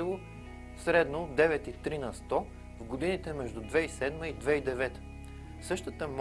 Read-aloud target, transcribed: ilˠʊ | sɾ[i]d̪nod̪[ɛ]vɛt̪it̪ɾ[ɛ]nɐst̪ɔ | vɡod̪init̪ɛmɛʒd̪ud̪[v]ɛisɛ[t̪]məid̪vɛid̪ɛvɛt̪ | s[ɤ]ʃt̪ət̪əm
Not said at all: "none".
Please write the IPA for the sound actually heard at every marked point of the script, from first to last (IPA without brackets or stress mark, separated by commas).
ɛ, ɛ, i, v, d̪, ɤ